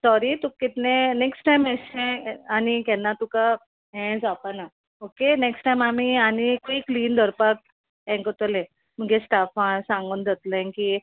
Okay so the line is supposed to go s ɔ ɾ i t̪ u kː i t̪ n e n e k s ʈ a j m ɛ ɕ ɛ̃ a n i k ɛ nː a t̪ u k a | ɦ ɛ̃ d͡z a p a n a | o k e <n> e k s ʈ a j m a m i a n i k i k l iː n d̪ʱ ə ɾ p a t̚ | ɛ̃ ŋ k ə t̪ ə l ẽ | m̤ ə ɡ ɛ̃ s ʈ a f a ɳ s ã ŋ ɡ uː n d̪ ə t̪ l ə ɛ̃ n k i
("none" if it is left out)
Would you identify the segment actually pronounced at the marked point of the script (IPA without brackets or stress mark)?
n